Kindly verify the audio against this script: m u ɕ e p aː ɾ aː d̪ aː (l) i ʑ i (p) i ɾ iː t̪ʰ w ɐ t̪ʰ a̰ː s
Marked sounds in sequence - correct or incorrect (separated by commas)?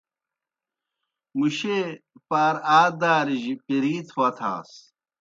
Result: incorrect, correct